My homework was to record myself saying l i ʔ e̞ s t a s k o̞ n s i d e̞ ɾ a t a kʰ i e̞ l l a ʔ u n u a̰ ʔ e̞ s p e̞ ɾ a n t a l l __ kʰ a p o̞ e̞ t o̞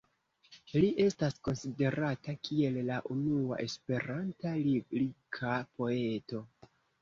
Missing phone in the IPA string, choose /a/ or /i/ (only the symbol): i